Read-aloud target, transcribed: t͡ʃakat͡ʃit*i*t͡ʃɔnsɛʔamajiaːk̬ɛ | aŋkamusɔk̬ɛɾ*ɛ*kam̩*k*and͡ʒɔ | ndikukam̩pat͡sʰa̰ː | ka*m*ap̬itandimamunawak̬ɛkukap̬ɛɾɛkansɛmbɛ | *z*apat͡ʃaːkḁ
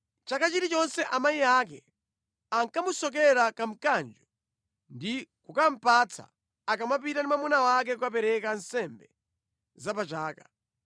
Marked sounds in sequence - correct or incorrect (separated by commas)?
correct, incorrect, correct, correct, correct